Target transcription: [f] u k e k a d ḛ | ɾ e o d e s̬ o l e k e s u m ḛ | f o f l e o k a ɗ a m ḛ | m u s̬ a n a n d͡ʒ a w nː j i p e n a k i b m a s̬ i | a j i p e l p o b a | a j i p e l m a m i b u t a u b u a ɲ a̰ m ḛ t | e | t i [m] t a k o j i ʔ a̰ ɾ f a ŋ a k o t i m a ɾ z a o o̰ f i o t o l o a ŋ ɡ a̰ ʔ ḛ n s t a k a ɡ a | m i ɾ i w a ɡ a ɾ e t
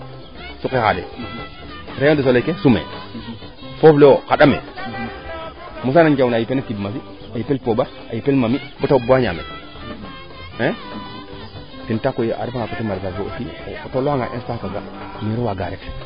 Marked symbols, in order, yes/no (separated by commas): no, no